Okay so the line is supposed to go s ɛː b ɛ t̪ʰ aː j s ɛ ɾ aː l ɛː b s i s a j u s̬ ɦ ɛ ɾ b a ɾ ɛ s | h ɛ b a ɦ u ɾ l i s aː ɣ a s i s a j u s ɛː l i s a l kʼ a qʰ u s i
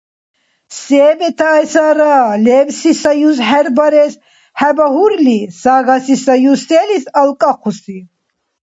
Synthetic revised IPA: s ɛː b ɛ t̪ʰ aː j s a ɾ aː l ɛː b s i s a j u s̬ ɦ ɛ ɾ b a ɾ ɛ s | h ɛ b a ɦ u ɾ l i s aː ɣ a s i s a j u s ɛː l i s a l kʼ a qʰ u s i